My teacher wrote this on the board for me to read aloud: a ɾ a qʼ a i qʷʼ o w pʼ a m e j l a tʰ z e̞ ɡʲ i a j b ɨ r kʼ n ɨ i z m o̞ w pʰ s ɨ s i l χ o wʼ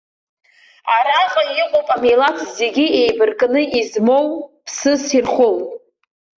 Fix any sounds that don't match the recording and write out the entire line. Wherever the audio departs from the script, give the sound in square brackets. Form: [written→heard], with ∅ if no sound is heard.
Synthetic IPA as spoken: a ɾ a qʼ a i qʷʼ o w pʼ a m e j l a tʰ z e̞ ɡʲ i [a→e] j b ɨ r kʼ n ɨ i z m o̞ w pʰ s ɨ s i [l→r] χ o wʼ